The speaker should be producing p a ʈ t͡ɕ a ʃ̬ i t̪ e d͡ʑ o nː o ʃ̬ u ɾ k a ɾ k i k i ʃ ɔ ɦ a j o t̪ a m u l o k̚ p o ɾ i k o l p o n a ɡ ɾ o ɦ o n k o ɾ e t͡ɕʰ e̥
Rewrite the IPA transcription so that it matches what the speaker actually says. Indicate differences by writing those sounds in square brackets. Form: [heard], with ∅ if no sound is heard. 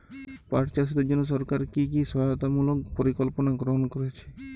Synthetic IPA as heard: p a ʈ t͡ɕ a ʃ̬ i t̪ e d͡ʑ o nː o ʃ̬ [ɔ] ɾ k a ɾ k i k i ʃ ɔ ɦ a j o t̪ a m u l o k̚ p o ɾ i k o l p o n a ɡ ɾ o ɦ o n k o ɾ e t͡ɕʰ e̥